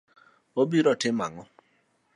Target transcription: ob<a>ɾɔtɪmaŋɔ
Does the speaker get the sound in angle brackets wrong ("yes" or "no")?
yes